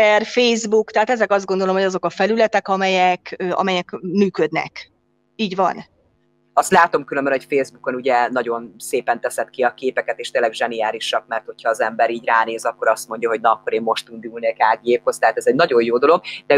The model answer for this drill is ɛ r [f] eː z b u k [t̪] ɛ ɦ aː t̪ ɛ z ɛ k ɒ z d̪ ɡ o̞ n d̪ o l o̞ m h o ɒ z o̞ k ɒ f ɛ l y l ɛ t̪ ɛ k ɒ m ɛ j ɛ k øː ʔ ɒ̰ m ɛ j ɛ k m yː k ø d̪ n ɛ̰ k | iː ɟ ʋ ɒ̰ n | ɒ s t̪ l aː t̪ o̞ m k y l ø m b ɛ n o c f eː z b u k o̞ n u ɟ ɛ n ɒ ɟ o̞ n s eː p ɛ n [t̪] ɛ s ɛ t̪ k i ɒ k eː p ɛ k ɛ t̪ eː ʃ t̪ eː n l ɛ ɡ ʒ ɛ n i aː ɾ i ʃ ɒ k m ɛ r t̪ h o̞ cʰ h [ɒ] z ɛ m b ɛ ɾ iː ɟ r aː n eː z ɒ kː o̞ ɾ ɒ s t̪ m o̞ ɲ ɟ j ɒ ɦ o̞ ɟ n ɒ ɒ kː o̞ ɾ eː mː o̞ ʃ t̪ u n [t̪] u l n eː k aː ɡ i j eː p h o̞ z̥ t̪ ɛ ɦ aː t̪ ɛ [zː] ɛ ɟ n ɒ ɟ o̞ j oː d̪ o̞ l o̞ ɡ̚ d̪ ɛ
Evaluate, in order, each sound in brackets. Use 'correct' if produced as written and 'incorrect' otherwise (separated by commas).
correct, correct, correct, incorrect, incorrect, incorrect